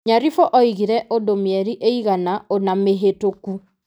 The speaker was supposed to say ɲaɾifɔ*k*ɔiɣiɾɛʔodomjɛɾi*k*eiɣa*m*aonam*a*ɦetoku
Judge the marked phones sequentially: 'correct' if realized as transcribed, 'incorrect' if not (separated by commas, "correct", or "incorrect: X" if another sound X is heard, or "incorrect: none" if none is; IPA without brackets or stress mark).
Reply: incorrect: ʔ, incorrect: ʔ, incorrect: n, incorrect: e